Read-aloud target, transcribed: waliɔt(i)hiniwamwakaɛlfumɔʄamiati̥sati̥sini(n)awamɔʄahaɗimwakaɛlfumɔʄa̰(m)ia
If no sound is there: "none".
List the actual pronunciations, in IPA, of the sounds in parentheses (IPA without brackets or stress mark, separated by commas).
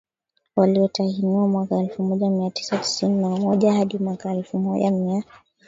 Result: a, n, m